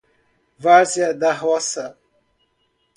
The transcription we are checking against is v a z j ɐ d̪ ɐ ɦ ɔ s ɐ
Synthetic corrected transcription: v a z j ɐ d̪ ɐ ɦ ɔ s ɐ